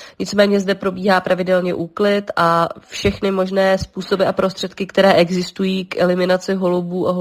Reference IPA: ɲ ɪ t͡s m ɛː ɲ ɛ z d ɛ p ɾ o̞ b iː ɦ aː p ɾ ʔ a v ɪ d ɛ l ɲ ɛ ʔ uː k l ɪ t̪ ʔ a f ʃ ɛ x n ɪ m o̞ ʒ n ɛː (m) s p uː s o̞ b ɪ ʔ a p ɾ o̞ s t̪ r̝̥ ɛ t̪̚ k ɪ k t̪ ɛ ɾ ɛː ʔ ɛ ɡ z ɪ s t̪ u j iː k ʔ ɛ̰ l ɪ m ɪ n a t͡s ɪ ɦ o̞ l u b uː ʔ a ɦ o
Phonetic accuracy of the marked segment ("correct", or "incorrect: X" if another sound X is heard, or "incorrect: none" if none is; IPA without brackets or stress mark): incorrect: none